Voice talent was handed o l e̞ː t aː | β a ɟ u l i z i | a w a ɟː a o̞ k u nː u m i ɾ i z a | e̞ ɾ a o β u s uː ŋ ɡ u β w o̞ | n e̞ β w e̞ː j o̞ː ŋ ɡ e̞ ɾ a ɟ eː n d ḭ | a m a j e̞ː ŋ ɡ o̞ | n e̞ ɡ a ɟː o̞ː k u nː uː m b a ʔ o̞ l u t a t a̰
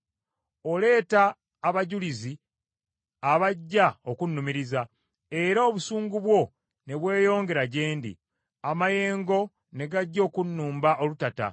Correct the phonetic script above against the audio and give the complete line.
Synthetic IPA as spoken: o l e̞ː t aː | β a ɟ u l i z i | a β a ɟː a o̞ k u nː u m i ɾ i z a | e̞ ɾ a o β u s uː ŋ ɡ u β w o̞ | n e̞ β w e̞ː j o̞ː ŋ ɡ e̞ ɾ a ɟ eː n d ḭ | a m a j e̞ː ŋ ɡ o̞ | n e̞ ɡ a ɟː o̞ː k u nː uː m b a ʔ o̞ l u t a t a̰

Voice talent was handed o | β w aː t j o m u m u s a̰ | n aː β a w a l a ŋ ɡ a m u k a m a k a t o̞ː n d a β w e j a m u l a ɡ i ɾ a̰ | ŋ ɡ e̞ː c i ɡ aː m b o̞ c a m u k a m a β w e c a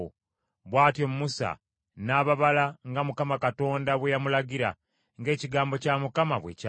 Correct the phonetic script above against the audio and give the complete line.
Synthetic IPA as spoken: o | β w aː t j o m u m u s a̰ | n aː β a β a l a ŋ ɡ a m u k a m a k a t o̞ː n d a β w e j a m u l a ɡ i ɾ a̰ | ŋ ɡ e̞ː c i ɡ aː m b o̞ c a m u k a m a β w e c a

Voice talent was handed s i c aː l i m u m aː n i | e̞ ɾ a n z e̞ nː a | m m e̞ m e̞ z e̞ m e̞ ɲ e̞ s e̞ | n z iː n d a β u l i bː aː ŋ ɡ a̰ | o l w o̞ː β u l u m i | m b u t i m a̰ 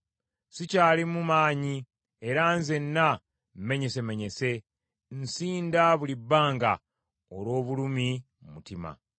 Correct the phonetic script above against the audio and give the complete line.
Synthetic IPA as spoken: s i c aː l i m u m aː ɲ i | e̞ ɾ a n z e̞ nː a | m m e̞ ɲ e̞ s e̞ m e̞ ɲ e̞ s e̞ | n s iː n d a β u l i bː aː ŋ ɡ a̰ | o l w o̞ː β u l u m i | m m u t i m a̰

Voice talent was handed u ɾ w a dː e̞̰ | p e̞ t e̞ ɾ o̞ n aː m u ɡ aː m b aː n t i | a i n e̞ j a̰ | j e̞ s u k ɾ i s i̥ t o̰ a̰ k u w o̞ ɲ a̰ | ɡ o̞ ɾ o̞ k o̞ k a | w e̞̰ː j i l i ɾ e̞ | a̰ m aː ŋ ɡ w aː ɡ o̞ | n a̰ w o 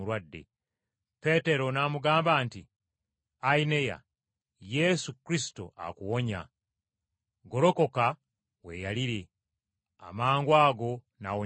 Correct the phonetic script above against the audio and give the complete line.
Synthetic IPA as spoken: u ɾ w a dː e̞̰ | p e̞ t e̞ ɾ o̞ n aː m u ɡ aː m b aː n t i | a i n e̞ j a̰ | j e̞ s u k ɾ i s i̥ t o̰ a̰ k u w o̞ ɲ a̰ | ɡ o̞ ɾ o̞ k o̞ k a | w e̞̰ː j a l i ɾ e̞ | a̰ m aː ŋ ɡ w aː ɡ o̞ | n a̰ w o

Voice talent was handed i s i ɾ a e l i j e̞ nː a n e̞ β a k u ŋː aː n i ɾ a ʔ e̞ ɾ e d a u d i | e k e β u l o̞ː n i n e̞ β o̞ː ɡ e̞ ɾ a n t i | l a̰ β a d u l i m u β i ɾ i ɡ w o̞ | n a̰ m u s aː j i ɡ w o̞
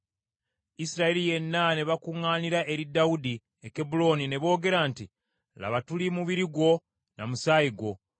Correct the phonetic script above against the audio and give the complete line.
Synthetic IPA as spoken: i s i ɾ a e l i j e̞ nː a n e̞ β a k u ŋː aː n i ɾ a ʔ e̞ ɾ i d a u d i | e k e b u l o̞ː n i n e̞ β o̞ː ɡ e̞ ɾ a n t i | l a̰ β a t u l i m u β i ɾ i ɡ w o̞ | n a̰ m u s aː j i ɡ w o̞

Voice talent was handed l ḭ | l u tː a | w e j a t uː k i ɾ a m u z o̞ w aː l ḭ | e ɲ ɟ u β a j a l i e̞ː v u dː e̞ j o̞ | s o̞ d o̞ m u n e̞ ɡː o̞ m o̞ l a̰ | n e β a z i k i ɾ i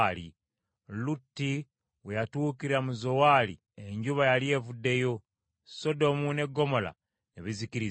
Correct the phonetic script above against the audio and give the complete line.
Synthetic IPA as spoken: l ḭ | l u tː i | w e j a t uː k i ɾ a m u z o̞ w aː l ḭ | e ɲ ɟ u β a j a l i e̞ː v u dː e̞ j o̞ | s o̞ d o̞ m u n e̞ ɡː o̞ m o̞ l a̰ | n e β i z i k i ɾ i

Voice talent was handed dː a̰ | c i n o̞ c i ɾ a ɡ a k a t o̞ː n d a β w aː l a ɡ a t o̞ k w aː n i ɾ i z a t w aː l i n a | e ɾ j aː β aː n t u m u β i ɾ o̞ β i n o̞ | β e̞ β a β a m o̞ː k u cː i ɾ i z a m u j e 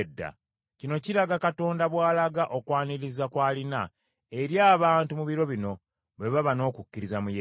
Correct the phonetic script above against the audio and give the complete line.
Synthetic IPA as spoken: dː a̰ | c i n o̞ c i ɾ a ɡ a k a t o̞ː n d a β w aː l a ɡ a ʔ o̞ k w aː n i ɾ i z a k w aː l i n a | e ɾ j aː β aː n t u m u β i ɾ o̞ β i n o̞ | β e̞ β a β a n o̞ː k u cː i ɾ i z a m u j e

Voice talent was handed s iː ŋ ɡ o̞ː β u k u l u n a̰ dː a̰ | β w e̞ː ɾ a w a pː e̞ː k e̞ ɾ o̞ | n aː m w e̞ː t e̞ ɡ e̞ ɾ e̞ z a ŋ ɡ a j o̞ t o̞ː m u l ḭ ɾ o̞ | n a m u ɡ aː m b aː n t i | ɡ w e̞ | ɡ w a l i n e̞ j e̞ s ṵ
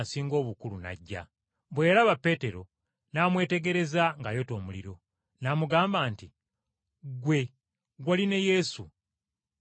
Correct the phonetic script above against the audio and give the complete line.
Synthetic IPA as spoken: s iː ŋ ɡ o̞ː β u k u l u n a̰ ɟː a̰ | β w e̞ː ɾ a β a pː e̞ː t e̞ ɾ o̞ | n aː m w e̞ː t e̞ ɡ e̞ ɾ e̞ z a ŋ ɡ a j o̞ t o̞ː m u l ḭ ɾ o̞ | n a m u ɡ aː m b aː n t i | ɡ w e̞ | ɡ w a l i n e̞ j e̞ s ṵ

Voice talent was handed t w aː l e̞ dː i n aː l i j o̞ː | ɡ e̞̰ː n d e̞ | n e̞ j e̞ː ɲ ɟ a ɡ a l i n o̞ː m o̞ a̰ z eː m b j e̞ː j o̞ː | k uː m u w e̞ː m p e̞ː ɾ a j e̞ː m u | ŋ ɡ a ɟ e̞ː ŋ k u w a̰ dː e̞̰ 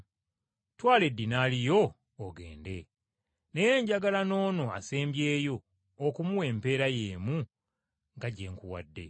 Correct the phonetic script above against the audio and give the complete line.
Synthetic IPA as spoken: t w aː l e̞ dː i n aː l i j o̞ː | ɡ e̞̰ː n d e̞ | n e̞ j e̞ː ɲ ɟ a ɡ a l a n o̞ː n o̞ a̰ s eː m b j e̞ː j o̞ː | k u m u w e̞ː m p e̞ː ɾ a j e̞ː m u | ŋ ɡ a ɟ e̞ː ŋ k u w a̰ dː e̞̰

